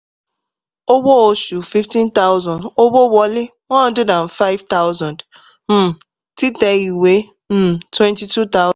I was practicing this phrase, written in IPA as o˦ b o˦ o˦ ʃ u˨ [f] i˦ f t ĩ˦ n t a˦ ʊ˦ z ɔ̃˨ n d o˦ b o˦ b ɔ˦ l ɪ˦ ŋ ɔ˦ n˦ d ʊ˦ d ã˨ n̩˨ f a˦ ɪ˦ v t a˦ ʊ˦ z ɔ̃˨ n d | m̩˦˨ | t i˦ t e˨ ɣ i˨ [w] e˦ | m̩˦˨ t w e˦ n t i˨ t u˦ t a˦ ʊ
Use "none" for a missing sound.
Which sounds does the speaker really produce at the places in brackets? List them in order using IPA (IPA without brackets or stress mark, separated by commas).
f, w